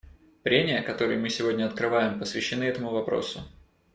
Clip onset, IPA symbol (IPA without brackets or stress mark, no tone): p